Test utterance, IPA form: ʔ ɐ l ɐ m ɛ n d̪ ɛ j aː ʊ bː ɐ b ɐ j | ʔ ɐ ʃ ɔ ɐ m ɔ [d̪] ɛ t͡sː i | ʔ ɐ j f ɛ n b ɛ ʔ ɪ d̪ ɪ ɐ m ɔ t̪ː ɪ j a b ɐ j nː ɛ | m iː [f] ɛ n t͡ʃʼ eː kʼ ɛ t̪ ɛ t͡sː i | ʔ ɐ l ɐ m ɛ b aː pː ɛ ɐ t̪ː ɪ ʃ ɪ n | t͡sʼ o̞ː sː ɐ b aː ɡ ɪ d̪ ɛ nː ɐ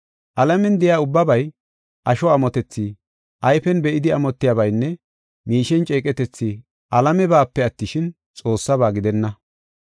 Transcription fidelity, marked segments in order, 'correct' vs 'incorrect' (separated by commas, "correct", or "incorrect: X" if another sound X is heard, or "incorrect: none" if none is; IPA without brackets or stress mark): incorrect: t̪, incorrect: ʃ